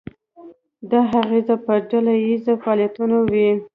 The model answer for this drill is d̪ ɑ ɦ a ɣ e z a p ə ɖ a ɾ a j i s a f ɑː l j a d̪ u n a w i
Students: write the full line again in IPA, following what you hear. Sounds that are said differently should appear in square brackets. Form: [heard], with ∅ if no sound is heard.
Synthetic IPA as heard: d̪ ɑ ɦ a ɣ e z a p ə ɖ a [l] a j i [z] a f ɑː l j a [t̪] u n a w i